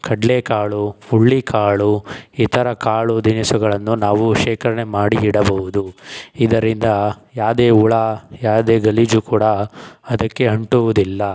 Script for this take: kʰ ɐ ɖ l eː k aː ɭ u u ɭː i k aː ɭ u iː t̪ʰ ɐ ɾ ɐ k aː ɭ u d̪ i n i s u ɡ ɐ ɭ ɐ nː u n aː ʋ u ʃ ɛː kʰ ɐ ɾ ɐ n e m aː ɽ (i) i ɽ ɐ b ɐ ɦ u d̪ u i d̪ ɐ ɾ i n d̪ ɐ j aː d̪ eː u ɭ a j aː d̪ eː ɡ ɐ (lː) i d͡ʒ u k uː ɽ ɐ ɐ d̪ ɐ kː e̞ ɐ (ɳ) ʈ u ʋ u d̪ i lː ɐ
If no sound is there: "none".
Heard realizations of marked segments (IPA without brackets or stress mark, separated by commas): i, l, ɳ